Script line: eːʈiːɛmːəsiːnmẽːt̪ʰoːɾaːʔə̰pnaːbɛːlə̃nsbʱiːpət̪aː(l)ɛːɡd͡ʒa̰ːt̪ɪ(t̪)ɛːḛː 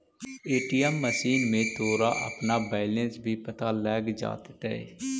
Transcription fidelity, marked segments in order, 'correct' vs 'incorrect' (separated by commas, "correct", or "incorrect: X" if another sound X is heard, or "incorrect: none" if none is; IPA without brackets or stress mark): correct, correct